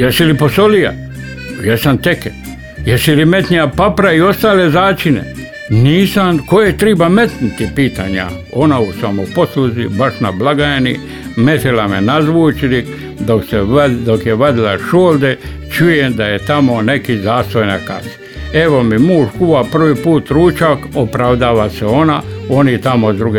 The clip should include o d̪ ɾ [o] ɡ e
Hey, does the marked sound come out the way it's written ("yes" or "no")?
no